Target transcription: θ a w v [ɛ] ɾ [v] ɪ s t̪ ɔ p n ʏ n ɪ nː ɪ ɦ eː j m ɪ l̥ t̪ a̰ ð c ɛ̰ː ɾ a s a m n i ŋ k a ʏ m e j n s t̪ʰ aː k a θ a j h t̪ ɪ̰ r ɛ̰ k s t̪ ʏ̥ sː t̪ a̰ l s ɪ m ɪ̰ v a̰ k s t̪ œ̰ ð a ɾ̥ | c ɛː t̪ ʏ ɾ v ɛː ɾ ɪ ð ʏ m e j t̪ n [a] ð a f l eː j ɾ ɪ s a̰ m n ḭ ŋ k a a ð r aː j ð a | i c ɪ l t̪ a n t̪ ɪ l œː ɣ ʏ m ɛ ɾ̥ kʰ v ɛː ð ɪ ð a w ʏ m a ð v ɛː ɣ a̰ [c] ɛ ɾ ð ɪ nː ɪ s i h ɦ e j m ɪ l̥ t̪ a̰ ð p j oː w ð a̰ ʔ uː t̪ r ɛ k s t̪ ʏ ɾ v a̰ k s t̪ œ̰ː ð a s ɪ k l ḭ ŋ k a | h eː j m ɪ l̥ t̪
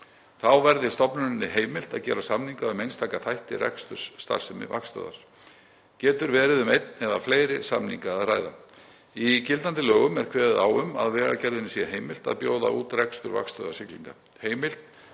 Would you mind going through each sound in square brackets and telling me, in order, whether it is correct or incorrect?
correct, incorrect, incorrect, correct

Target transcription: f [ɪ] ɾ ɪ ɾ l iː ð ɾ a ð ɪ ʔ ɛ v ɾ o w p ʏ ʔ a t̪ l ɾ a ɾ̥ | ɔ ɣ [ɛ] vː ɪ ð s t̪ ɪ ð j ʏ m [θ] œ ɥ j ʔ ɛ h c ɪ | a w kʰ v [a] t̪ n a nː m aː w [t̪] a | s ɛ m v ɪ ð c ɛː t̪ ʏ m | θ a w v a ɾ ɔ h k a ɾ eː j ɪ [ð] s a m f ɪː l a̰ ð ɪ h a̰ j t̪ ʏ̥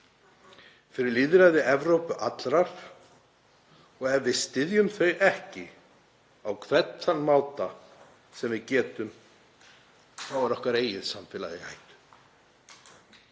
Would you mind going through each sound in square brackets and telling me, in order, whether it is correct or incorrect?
correct, correct, correct, incorrect, correct, correct

